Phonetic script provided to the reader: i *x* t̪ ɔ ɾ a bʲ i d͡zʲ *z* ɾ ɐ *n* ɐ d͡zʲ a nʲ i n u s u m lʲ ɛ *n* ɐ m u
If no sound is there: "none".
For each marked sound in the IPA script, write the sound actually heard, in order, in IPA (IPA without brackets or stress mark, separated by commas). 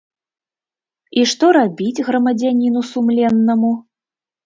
ʂ, ɣ, m, nː